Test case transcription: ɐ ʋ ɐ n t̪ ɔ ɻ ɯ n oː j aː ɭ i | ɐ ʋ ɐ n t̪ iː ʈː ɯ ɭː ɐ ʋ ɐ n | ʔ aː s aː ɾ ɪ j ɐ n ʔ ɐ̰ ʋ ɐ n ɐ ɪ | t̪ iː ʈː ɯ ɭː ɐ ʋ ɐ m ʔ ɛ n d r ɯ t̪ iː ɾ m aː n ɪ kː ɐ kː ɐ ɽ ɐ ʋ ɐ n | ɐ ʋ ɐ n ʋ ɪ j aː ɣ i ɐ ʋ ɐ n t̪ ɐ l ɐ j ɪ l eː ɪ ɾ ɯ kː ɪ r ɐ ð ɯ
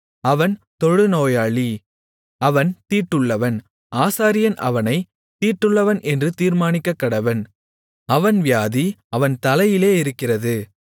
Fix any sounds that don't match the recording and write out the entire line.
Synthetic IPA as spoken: ɐ ʋ ɐ n t̪ ɔ ɻ ɯ n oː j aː ɭ i | ɐ ʋ ɐ n t̪ iː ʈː ɯ ɭː ɐ ʋ ɐ n | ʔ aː s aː ɾ ɪ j ɐ n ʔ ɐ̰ ʋ ɐ n ɐ ɪ | t̪ iː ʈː ɯ ɭː ɐ ʋ ɐ n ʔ ɛ n d r ɯ t̪ iː ɾ m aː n ɪ kː ɐ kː ɐ ɽ ɐ ʋ ɐ n | ɐ ʋ ɐ n ʋ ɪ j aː ð i ɐ ʋ ɐ n t̪ ɐ l ɐ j ɪ l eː ɪ ɾ ɯ kː ɪ r ɐ ð ɯ